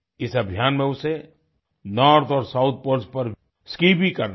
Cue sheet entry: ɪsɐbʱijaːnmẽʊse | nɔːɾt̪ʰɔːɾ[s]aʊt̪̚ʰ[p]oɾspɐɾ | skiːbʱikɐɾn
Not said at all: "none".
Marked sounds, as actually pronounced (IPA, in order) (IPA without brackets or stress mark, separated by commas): s, p